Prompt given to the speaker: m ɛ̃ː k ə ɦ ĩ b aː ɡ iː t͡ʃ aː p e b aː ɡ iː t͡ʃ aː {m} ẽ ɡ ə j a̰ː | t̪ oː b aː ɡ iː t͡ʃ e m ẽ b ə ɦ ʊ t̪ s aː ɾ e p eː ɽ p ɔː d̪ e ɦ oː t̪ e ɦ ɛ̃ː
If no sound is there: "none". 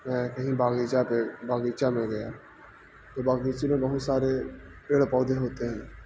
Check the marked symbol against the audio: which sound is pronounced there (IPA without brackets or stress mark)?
m